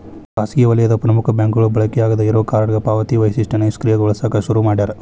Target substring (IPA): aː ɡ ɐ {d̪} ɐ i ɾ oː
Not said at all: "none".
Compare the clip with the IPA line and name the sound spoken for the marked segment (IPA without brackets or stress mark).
d̪